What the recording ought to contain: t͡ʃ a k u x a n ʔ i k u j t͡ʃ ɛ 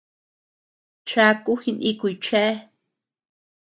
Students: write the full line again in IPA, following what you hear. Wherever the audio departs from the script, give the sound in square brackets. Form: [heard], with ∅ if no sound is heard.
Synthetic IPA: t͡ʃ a k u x [i] n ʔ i k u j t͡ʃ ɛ